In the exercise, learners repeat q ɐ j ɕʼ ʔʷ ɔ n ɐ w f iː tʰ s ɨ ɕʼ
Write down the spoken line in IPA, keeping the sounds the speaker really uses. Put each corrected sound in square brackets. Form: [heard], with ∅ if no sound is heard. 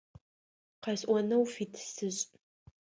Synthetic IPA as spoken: q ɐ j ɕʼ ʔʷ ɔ n ɐ w f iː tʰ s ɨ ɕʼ